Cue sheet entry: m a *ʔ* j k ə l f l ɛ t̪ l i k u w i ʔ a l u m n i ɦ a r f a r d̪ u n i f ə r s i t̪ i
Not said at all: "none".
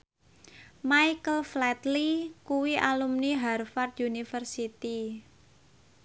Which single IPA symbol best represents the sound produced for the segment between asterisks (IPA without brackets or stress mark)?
none